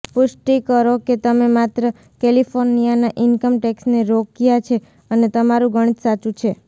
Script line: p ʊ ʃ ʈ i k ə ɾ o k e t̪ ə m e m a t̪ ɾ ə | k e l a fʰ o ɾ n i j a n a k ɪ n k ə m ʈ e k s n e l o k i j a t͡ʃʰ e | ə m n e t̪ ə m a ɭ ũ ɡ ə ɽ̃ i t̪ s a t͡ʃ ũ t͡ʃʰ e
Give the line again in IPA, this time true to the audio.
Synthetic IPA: p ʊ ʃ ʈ i k ə ɾ o k e t̪ ə m e m a t̪ ɾ ə | k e l i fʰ o ɾ n i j a n a ʔ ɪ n k ə m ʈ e k s n e ɾ o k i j a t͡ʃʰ e | ə n e t̪ ə m a ɾ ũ ɡ ə ɽ̃ i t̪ s a t͡ʃ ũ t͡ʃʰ e